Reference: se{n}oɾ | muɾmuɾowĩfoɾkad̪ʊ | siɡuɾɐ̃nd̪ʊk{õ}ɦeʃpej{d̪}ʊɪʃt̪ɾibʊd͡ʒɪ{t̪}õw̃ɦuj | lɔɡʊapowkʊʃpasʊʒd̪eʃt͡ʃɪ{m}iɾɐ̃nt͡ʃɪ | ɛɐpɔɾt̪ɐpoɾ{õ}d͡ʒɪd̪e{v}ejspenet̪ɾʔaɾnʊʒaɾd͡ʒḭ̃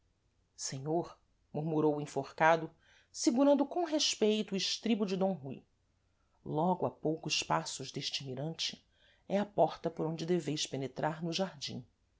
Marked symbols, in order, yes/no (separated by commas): no, yes, no, no, yes, yes, yes